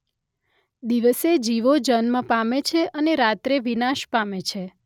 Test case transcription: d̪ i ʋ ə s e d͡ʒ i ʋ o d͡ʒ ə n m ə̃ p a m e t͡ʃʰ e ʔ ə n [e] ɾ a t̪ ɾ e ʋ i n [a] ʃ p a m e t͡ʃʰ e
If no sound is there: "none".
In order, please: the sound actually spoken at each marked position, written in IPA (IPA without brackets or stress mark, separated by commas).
e, a